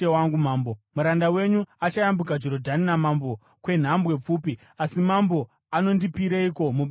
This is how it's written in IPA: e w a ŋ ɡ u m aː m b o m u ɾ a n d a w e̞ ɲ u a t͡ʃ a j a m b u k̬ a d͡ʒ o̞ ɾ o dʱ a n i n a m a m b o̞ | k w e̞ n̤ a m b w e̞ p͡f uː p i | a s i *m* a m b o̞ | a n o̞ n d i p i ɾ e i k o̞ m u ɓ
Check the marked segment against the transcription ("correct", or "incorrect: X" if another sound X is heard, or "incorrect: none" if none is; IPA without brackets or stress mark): correct